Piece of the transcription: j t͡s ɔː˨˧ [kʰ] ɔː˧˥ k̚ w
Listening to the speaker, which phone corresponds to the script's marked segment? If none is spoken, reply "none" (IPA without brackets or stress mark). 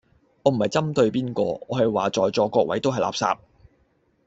k